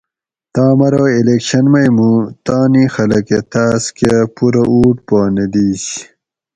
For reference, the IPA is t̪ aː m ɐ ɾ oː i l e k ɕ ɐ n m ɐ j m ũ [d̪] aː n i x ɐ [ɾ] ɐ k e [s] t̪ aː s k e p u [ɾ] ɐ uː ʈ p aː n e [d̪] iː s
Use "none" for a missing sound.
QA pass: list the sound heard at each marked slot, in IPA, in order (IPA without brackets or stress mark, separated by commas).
t̪, l, none, ɾ, d̪